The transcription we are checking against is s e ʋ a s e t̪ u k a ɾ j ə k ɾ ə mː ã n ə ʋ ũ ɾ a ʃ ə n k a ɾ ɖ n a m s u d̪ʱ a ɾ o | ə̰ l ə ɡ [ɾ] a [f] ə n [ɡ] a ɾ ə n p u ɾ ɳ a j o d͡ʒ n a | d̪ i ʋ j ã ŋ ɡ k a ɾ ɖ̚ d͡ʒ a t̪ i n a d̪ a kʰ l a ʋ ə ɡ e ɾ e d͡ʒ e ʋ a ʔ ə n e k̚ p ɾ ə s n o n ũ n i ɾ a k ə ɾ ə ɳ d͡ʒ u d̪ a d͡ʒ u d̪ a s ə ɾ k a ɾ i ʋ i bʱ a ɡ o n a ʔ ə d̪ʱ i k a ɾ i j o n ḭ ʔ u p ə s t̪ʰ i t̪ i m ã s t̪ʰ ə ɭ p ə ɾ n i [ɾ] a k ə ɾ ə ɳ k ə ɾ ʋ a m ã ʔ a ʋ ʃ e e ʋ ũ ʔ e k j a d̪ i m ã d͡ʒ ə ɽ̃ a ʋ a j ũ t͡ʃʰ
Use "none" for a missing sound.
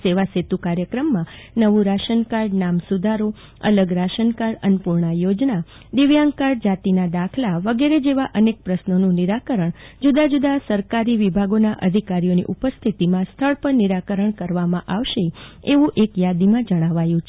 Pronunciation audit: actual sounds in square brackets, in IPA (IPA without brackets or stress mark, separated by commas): ɾ, ʃ, k, ɾ